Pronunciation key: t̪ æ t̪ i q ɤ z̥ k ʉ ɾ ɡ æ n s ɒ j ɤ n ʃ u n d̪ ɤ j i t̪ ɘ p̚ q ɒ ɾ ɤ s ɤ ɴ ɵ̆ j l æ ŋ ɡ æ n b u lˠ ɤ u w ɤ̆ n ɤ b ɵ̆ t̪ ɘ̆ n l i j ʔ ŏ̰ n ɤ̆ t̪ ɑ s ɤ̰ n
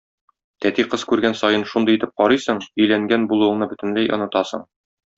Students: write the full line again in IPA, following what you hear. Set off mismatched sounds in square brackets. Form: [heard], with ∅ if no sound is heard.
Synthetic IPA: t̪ æ t̪ i q ɤ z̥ k ʉ ɾ ɡ æ n s ɒ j ɤ n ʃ u n d̪ ɤ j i t̪ ɘ p̚ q ɒ ɾ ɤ s ɤ ɴ ɵ̆ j l æ ŋ ɡ æ n b u lˠ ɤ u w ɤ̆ n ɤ b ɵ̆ t̪ ɘ̆ n l [æ] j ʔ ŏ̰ n ɤ̆ t̪ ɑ s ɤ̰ [ɴ]